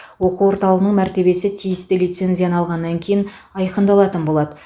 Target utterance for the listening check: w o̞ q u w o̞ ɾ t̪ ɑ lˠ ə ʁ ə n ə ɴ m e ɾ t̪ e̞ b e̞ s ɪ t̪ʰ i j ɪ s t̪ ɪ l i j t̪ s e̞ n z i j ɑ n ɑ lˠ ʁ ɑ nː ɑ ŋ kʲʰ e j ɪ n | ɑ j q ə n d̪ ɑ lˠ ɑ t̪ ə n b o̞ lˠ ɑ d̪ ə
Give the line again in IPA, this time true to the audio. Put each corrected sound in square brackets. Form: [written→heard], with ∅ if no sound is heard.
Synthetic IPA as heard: w o̞ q u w o̞ ɾ t̪ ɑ lˠ ə ʁ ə n ə ɴ m [e→æ] ɾ t̪ e̞ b e̞ s ɪ t̪ʰ i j ɪ s t̪ ɪ l i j t̪ s e̞ n z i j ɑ n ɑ lˠ ʁ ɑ nː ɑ ŋ kʲʰ e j ɪ n | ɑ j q ə n d̪ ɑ lˠ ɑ t̪ ə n b o̞ lˠ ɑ d̪ ə